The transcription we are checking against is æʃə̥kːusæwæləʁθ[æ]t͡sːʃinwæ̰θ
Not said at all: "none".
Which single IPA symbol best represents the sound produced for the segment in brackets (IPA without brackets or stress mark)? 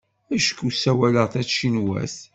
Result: æ